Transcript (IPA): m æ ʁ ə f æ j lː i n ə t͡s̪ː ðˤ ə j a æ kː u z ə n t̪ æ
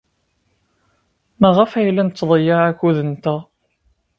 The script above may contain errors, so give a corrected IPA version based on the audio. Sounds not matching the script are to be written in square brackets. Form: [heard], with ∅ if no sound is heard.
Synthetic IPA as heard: m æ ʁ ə f æ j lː [æ] n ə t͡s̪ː ðˤ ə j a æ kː u [ð] ə n t̪ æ